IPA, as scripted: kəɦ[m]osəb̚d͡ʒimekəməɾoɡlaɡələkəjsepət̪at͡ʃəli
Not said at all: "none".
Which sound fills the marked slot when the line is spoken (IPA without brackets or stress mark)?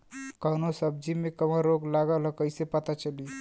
n